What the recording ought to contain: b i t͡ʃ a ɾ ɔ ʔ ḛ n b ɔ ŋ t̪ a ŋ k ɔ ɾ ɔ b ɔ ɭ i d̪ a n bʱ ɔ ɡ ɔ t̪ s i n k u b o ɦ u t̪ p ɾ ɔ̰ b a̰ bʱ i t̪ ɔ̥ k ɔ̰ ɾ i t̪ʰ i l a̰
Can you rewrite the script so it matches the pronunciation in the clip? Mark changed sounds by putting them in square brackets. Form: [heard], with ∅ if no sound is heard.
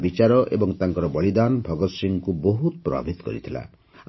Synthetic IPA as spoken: b i t͡ʃ a ɾ ɔ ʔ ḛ [∅] b ɔ ŋ t̪ a ŋ k ɔ ɾ ɔ b ɔ ɭ i d̪ a n bʱ ɔ ɡ ɔ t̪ s i [ŋ] k u b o ɦ u t̪ p ɾ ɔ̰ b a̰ bʱ i t̪ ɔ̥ k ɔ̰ ɾ i t̪ʰ i l a̰